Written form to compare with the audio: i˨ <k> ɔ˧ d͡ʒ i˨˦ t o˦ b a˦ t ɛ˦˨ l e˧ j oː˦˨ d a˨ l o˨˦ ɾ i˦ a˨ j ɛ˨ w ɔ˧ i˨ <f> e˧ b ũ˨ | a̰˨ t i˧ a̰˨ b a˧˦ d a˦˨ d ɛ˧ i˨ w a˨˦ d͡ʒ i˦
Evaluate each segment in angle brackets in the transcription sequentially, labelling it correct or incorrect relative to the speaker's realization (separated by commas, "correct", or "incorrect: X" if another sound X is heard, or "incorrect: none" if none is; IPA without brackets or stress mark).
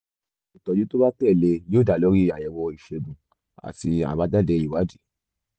incorrect: t, incorrect: ʃ